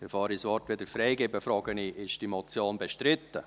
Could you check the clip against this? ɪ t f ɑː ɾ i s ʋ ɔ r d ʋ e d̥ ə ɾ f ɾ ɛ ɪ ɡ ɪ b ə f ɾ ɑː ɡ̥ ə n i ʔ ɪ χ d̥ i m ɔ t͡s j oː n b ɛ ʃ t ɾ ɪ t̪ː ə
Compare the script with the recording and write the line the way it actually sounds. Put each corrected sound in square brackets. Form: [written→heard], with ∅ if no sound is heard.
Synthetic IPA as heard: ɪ [t→∅] f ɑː ɾ i s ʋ ɔ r [d→t] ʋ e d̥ ə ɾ f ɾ ɛ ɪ ɡ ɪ b ə f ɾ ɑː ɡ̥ ə n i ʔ ɪ [χ→ʃ] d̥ i m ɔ t͡s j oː n b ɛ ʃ t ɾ ɪ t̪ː ə